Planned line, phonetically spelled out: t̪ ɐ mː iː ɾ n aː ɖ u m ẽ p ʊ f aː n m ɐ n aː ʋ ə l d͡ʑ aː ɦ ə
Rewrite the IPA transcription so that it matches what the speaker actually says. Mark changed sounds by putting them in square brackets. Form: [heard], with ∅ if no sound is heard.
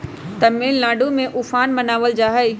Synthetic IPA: t̪ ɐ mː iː [l] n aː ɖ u m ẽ [ʔ] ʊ f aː n m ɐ n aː ʋ ə l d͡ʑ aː ɦ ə

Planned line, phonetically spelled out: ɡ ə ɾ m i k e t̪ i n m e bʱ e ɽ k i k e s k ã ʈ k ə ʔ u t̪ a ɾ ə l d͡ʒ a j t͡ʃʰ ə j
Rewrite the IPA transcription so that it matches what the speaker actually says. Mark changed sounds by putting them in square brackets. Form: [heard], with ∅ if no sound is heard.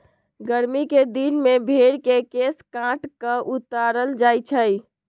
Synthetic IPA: ɡ ə ɾ m i k e [d̪] i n m e bʱ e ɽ k [e] k e s k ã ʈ k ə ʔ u t̪ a ɾ ə l d͡ʒ a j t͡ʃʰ ə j

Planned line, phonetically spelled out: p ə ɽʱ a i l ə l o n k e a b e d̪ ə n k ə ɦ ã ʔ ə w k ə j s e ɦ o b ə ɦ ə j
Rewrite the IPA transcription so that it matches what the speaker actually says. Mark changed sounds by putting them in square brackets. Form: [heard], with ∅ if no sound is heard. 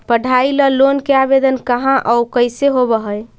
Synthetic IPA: p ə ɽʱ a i l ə l o n k e a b e d̪ ə n k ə ɦ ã ʔ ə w k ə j s e ɦ o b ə ɦ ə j

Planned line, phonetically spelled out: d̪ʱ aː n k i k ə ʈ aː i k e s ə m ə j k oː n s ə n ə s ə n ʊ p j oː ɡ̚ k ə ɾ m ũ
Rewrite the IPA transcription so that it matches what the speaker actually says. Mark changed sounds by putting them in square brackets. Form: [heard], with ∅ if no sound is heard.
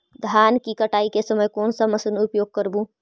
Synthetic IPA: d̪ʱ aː n k i k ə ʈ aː i k e s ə m ə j k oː n s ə [m] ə s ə n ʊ p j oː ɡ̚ k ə ɾ [b] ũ

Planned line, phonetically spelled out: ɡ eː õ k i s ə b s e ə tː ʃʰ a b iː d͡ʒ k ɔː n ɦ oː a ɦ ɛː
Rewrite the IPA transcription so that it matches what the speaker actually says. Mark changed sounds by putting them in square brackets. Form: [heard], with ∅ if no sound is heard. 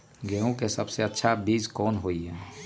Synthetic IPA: ɡ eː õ k [e] s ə b s e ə tː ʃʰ a b iː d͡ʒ k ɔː n ɦ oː [i] ɦ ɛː

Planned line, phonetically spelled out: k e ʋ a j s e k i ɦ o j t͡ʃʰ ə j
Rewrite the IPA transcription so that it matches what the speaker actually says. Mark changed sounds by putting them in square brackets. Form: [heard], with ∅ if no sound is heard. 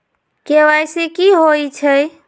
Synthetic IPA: k e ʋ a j s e k i ɦ o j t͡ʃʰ ə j

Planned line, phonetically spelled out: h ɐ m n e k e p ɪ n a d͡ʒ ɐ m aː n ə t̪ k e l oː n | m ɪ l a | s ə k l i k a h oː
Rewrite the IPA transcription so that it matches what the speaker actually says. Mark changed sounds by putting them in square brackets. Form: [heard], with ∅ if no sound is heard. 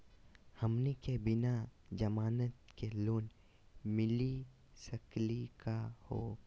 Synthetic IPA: h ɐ m n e k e [b] ɪ n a d͡ʒ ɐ m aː n ə t̪ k e l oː n | m ɪ l [i] | s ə k l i k a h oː

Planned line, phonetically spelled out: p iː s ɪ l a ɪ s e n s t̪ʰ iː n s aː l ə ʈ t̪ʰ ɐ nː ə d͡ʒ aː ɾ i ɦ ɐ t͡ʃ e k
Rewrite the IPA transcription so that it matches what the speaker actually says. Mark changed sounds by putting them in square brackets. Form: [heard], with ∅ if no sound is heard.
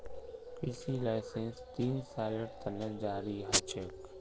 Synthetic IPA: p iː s [i] l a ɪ s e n s [t̪] iː n s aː l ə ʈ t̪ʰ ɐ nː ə d͡ʒ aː ɾ i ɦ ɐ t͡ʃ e k

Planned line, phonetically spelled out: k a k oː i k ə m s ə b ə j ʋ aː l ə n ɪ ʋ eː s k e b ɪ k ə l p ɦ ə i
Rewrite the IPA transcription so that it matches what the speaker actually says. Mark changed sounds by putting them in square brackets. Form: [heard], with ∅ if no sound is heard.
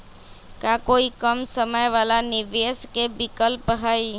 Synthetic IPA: k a k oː i k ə m s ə [m] ə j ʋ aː l [a] n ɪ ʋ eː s k e b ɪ k ə l p ɦ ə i

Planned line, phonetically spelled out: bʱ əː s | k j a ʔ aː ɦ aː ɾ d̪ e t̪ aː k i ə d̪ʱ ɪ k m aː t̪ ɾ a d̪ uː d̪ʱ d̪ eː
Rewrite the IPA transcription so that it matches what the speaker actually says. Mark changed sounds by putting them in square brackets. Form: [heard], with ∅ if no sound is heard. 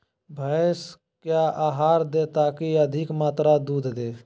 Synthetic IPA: bʱ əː s | k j a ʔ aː ɦ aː ɾ d̪ e t̪ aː k i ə d̪ʱ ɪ k m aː t̪ ɾ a d̪ uː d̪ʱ d̪ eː

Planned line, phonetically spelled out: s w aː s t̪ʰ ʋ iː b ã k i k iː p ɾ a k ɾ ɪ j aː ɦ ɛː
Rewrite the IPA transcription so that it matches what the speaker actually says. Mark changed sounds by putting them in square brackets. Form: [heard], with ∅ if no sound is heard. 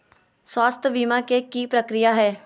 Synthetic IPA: s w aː s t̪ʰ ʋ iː [m] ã k [e] k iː p ɾ [ə] k ɾ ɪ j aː ɦ ɛː

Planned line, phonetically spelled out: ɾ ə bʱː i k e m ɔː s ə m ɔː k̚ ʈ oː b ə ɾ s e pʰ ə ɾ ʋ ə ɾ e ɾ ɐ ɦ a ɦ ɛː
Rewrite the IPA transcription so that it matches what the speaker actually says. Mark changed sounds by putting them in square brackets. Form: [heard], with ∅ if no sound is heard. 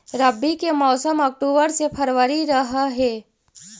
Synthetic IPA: ɾ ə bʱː i k e m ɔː s ə m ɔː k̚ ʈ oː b ə ɾ s e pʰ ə ɾ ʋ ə ɾ [i] ɾ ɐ ɦ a ɦ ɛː

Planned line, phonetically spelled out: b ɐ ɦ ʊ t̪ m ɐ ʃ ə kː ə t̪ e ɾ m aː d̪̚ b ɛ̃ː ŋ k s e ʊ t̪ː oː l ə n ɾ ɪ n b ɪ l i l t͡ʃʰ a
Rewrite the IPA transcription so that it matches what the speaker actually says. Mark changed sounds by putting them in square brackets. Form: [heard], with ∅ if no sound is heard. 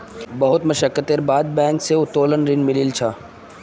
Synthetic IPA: b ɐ ɦ ʊ t̪ m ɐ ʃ ə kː ə t̪ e ɾ [b] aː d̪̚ b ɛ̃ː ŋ k s e ʊ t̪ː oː l ə n ɾ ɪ n [m] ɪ l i l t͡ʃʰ a

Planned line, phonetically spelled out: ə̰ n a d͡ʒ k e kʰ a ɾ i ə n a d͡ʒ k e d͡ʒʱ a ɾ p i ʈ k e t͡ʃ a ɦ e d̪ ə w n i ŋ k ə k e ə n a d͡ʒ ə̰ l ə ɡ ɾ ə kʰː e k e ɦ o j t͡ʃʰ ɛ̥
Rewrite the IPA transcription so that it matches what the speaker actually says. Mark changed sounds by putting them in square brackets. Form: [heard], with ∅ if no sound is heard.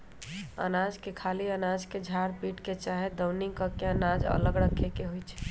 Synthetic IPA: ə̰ n a d͡ʒ k e kʰ a [l] i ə n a d͡ʒ k e d͡ʒʱ a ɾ p i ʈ k e t͡ʃ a ɦ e d̪ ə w n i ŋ k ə k e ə n a d͡ʒ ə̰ l ə ɡ ɾ ə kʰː e k e ɦ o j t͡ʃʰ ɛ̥

